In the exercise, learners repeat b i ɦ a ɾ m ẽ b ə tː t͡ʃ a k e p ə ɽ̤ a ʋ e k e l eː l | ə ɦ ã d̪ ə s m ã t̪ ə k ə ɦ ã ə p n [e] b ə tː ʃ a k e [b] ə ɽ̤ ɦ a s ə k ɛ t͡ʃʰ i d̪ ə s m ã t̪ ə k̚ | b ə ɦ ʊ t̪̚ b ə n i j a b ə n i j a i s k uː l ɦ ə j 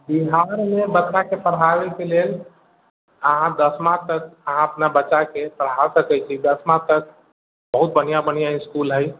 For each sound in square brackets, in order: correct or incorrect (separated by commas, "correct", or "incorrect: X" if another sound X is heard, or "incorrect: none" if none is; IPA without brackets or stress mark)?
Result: incorrect: a, incorrect: p